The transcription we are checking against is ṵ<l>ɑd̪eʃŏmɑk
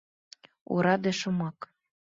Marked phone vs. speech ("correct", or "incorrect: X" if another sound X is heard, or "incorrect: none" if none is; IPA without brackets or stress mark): incorrect: ɾ